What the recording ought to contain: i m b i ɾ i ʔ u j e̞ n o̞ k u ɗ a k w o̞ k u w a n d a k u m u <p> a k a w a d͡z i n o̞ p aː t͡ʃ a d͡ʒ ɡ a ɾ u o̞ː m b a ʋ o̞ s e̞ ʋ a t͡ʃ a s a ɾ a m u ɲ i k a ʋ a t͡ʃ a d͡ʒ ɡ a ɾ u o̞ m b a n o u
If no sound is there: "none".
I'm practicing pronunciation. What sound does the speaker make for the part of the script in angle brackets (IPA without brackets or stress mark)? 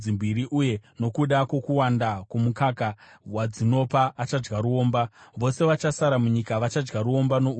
k